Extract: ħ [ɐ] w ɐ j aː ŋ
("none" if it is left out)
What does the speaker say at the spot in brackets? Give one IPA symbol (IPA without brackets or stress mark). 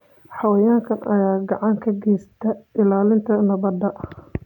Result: ɑ